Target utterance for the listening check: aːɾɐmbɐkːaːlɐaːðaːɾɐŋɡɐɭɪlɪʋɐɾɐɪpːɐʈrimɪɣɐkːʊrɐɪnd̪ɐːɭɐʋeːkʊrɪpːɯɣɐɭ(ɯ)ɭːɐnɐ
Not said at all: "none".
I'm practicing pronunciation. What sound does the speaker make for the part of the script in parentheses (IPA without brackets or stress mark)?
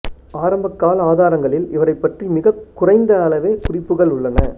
ʊ